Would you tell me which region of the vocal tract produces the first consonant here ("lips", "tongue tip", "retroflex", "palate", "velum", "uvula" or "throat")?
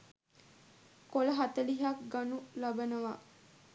velum